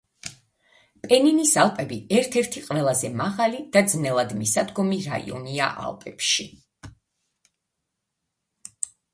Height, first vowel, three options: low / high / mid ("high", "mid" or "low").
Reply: mid